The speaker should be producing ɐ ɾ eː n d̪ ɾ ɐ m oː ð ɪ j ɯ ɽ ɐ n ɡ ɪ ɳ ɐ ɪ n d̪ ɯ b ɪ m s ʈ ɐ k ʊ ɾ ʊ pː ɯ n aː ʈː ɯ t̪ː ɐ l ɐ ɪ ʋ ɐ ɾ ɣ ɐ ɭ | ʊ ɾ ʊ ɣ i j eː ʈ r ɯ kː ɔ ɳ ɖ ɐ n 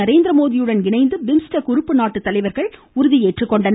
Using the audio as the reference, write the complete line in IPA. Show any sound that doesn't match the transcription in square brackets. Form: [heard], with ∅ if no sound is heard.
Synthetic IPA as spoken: ɐ ɾ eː n d̪ ɾ ɐ m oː ð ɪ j ɯ ɽ ɐ n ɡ ɪ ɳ ɐ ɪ n d̪ ɯ b ɪ m s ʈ ɐ k ʊ ɾ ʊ pː ɯ n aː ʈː ɯ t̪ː ɐ l ɐ ɪ ʋ ɐ ɾ ɣ ɐ ɭ | ʊ ɾ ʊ [ð] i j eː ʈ r ɯ kː ɔ ɳ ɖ ɐ n